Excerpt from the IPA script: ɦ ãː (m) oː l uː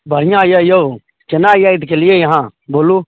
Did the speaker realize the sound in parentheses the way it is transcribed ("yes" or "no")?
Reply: no